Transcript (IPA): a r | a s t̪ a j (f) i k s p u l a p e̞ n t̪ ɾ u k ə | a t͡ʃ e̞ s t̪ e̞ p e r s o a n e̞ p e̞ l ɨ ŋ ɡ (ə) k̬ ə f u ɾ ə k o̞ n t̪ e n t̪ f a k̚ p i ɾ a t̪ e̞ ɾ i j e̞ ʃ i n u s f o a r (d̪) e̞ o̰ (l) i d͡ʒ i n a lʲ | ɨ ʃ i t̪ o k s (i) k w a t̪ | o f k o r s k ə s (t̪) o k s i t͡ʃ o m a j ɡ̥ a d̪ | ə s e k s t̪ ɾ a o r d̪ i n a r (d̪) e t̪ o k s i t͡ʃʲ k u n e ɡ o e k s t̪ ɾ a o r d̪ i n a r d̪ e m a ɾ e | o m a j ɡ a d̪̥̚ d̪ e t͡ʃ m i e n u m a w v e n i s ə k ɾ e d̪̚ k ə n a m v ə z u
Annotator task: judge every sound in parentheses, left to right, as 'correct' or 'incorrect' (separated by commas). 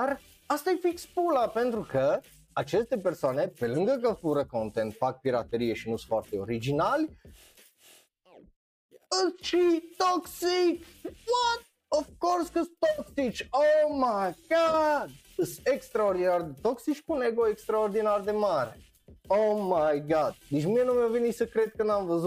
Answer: correct, correct, incorrect, incorrect, correct, correct, correct